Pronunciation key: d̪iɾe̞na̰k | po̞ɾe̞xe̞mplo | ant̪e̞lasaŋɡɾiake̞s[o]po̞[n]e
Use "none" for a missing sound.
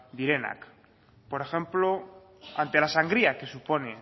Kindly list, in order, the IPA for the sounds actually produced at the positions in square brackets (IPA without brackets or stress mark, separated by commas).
u, n